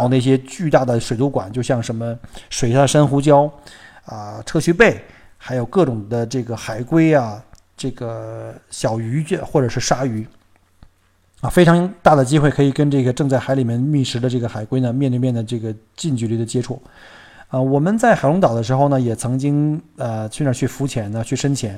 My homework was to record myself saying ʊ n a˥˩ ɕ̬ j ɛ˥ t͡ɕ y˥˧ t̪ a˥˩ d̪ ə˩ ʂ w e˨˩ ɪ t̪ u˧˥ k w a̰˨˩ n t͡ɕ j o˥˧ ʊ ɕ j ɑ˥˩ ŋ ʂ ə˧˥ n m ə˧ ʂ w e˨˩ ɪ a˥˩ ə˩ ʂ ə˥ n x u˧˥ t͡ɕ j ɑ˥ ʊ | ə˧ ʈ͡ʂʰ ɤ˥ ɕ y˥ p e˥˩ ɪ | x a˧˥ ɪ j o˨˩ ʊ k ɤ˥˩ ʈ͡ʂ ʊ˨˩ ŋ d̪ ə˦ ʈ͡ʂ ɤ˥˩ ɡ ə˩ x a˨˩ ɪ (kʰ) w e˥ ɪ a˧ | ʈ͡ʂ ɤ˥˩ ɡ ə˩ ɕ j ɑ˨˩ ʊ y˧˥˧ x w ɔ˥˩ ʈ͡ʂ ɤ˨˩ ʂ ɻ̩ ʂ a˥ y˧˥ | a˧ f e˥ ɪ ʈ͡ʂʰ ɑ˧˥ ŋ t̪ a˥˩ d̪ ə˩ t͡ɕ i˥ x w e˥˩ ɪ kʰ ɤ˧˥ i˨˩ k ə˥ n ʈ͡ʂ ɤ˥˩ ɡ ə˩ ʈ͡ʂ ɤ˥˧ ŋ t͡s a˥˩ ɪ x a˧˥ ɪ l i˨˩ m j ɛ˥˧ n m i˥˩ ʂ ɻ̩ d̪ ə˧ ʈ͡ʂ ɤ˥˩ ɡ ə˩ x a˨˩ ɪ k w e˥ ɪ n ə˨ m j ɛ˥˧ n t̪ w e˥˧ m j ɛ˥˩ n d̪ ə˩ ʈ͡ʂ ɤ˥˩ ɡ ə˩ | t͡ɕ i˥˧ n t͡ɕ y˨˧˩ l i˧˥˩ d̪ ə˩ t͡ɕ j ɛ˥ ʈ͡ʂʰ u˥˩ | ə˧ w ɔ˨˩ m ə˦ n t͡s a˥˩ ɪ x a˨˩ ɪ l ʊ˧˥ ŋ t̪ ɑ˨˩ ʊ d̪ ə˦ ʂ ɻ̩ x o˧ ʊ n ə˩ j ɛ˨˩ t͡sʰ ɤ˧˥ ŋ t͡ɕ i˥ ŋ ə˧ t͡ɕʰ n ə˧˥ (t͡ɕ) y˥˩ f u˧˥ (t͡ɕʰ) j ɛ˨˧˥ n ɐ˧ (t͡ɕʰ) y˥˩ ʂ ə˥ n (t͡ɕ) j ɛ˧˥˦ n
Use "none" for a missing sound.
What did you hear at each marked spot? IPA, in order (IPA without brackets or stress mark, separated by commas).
k, t͡ɕʰ, t͡ɕʰ, t͡ɕʰ, t͡ɕʰ